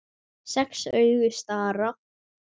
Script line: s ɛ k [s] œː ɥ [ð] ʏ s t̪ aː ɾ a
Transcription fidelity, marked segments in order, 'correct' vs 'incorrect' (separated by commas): correct, incorrect